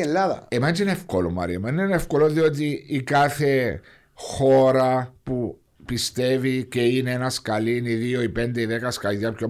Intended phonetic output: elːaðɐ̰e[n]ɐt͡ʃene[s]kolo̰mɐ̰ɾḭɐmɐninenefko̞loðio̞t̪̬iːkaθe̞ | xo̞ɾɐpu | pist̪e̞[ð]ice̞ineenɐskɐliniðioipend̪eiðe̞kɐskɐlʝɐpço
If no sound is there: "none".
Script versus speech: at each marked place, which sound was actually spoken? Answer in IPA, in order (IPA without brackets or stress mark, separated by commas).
m, f, v